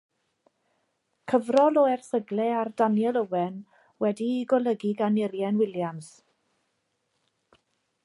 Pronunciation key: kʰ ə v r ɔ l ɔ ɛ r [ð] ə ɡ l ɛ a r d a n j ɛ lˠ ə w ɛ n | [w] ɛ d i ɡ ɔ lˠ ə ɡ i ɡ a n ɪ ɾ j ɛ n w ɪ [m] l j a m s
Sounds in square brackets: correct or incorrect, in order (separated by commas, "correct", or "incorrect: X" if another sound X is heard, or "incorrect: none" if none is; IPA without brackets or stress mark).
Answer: incorrect: θ, correct, incorrect: none